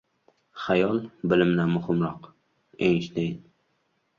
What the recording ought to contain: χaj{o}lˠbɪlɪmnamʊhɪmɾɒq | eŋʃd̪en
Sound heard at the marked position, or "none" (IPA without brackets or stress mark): ɒ